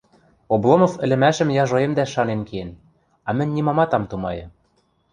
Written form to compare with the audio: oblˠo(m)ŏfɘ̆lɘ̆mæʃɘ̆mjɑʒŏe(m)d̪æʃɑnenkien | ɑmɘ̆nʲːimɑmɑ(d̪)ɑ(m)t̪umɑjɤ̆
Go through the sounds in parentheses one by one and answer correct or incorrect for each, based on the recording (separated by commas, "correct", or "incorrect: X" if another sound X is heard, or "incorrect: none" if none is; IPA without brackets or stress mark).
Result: correct, correct, incorrect: t̪, correct